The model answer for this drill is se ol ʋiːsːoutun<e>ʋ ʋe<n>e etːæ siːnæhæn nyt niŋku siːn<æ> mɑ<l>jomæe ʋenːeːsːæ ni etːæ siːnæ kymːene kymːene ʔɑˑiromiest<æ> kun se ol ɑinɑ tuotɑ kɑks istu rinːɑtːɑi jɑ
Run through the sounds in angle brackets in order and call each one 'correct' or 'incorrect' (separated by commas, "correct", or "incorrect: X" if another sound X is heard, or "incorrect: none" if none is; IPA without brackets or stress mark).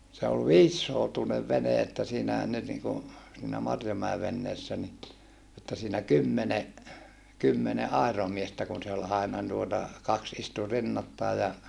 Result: correct, correct, correct, incorrect: r, correct